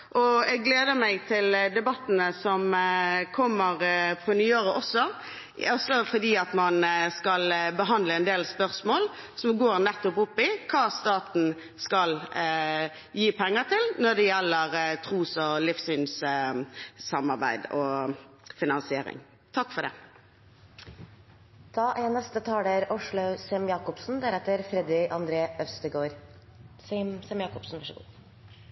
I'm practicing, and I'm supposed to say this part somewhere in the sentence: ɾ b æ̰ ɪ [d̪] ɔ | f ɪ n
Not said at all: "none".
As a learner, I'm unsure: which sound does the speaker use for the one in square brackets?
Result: d̪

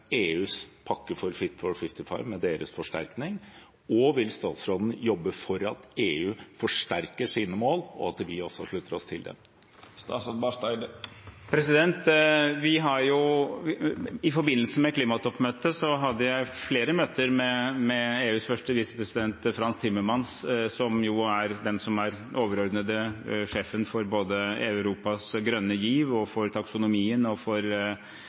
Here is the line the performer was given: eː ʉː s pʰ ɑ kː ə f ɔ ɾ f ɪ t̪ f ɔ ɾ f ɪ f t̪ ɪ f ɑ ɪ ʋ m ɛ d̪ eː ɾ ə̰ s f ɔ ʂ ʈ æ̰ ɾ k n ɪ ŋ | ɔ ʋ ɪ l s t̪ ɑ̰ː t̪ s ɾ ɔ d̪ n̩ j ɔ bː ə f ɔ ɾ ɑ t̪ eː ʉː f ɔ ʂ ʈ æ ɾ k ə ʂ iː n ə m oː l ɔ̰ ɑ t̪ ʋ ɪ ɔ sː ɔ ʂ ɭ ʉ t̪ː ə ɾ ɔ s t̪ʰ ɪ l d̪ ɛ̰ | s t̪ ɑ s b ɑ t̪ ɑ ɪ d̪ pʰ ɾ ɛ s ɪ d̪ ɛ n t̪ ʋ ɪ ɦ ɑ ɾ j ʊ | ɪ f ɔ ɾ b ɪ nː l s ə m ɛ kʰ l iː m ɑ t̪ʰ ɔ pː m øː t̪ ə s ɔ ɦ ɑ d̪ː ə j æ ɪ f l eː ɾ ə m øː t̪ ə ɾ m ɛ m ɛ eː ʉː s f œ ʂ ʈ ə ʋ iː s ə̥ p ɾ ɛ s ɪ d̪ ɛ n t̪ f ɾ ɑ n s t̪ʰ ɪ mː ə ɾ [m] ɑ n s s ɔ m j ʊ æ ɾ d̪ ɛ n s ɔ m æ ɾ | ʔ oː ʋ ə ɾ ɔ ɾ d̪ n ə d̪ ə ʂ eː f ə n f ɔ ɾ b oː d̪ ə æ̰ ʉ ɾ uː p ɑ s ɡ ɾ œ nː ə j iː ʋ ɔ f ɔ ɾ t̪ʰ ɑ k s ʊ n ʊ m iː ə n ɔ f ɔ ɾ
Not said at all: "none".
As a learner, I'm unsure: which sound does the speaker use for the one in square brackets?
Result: m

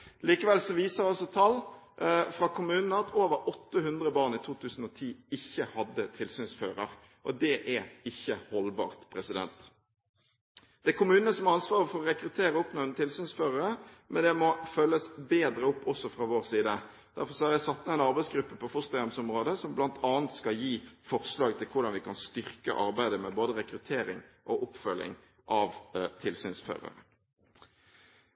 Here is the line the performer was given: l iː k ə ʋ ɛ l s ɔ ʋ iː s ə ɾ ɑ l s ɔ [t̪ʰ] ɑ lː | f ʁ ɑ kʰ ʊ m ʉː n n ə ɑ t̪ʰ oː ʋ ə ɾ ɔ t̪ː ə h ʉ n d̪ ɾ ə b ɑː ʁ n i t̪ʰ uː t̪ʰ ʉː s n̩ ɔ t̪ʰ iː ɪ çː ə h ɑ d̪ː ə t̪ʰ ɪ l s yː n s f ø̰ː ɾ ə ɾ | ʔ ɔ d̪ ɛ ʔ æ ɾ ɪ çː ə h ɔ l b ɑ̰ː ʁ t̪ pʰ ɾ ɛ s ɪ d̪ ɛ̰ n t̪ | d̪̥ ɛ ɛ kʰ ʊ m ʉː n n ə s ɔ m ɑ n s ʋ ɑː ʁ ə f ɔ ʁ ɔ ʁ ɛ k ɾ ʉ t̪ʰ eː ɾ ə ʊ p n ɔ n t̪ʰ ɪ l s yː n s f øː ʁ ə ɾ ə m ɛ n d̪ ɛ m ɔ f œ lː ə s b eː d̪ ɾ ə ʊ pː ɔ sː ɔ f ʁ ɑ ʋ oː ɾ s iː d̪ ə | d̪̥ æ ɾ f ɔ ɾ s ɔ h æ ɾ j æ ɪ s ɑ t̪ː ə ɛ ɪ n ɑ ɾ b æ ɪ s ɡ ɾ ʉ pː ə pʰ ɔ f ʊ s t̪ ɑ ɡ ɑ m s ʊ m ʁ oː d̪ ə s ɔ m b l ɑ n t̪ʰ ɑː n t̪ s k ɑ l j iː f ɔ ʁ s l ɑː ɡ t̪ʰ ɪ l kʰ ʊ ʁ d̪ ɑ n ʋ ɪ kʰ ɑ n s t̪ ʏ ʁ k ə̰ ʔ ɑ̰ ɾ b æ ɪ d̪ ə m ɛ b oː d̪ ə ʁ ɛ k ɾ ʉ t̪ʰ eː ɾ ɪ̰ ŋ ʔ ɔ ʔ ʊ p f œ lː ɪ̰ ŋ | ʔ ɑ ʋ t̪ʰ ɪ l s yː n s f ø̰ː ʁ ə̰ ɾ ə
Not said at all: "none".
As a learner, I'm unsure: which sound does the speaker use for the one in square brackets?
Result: t̪ʰ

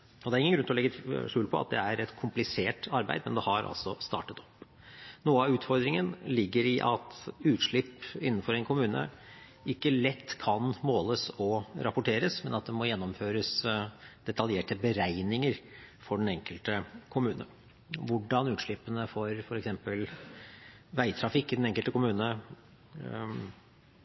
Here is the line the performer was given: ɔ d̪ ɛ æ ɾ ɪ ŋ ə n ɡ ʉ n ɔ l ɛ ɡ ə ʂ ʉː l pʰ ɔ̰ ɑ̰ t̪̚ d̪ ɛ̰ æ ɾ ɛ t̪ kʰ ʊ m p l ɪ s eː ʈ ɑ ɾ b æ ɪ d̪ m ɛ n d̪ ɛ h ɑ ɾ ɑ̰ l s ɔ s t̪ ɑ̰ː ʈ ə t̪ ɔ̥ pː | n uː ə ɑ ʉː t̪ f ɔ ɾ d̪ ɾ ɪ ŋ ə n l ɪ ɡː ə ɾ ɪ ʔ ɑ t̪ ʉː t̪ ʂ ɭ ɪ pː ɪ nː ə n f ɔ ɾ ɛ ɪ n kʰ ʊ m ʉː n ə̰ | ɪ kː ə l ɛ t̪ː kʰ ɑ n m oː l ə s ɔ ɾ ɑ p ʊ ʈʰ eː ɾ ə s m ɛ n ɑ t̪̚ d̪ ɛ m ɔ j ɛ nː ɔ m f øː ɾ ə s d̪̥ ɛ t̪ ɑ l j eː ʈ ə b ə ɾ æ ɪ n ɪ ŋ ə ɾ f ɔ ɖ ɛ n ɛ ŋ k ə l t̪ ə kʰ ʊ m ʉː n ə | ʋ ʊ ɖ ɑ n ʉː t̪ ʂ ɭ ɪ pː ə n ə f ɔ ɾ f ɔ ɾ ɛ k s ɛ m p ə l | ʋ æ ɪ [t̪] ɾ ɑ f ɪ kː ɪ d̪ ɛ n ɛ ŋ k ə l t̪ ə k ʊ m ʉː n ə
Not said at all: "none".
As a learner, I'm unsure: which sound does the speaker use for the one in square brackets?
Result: t̪ʰ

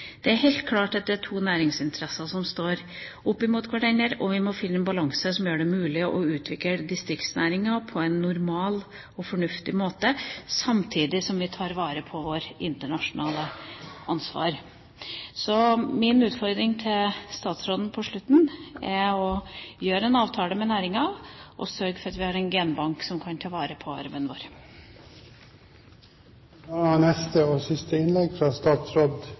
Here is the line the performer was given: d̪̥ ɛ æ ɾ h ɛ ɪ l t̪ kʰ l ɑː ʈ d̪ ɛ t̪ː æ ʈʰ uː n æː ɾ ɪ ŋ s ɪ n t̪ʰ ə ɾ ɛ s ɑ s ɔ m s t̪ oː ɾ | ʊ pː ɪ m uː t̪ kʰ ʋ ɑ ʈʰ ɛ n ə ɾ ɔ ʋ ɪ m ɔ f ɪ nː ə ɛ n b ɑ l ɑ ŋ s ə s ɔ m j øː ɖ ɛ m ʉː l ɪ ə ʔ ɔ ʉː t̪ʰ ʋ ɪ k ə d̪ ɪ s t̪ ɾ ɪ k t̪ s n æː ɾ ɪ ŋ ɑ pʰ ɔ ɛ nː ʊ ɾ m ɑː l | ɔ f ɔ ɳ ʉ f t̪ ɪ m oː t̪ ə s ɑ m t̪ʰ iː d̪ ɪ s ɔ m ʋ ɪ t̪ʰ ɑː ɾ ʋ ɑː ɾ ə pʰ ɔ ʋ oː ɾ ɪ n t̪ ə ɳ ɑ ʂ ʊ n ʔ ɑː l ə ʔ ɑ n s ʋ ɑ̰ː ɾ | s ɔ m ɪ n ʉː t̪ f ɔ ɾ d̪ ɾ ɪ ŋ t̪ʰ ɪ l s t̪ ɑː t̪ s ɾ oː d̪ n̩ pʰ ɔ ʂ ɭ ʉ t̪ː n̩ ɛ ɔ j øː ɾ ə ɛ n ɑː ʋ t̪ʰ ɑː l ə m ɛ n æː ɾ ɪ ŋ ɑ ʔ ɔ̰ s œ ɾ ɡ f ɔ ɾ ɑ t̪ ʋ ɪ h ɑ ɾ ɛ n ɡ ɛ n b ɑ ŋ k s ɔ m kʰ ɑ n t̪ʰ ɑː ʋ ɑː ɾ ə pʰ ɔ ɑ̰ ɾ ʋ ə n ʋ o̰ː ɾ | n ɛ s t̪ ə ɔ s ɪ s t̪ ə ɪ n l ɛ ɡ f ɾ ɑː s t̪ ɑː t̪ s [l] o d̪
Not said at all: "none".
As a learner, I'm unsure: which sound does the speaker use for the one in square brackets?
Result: ɾ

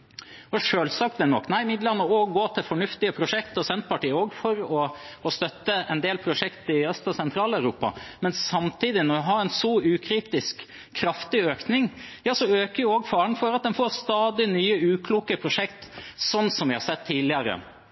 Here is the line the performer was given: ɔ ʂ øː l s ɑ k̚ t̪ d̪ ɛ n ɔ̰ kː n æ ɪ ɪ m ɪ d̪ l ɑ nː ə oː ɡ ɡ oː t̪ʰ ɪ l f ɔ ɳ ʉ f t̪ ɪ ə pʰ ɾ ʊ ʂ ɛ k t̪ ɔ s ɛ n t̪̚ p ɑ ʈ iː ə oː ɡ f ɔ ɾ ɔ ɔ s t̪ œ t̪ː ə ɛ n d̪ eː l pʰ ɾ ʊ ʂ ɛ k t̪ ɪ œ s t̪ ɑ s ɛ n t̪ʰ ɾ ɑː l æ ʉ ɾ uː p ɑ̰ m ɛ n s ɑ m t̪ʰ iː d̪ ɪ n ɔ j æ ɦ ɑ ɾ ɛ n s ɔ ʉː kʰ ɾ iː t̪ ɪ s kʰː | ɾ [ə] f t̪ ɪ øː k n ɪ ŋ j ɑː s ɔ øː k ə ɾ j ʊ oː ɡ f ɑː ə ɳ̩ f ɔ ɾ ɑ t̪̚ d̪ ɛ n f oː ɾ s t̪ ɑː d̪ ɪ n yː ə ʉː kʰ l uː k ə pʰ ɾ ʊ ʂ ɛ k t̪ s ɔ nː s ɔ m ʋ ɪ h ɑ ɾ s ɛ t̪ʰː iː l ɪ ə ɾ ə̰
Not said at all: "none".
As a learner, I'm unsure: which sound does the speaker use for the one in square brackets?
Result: ɑ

